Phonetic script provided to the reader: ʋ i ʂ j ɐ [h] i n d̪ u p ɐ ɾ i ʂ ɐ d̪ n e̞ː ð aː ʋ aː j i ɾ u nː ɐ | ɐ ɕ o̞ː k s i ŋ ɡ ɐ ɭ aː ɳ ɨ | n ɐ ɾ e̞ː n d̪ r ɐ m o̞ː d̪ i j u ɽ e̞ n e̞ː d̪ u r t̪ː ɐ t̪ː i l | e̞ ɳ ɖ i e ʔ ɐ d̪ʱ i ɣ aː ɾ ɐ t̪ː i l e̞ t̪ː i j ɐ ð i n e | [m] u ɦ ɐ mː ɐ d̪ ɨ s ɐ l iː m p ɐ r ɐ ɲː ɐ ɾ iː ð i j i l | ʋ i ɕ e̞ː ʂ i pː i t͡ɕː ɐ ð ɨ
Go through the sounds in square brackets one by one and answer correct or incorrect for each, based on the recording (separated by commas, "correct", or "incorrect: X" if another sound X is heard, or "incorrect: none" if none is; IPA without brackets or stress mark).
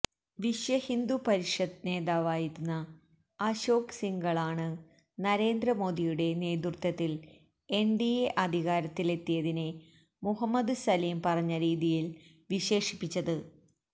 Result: correct, correct